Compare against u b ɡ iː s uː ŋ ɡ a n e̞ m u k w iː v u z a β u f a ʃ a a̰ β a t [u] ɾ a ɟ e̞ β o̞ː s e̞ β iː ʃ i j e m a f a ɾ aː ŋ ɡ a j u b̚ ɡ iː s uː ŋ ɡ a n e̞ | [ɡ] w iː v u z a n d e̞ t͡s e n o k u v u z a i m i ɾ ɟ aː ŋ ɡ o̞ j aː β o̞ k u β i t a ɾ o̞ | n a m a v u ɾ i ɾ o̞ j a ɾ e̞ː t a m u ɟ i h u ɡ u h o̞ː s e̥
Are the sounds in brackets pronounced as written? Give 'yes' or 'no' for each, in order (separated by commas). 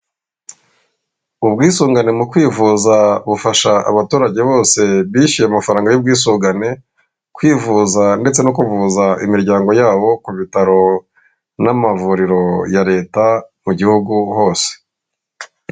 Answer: no, no